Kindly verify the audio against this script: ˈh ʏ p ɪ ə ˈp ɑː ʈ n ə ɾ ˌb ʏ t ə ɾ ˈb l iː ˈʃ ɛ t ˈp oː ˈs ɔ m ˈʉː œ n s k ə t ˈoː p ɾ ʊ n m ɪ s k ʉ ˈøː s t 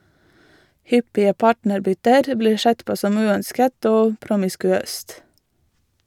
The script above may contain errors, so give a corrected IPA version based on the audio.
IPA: ˈh ʏ p ɪ ə ˈp ɑː ʈ n ə ɾ ˌb ʏ t ə ɾ ˈb l iː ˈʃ ɛ t ˈp oː ˈs ɔ m ˈʉː œ n s k ə t ˈoː p ɾ ʊ m ɪ s k ʉ ˈøː s t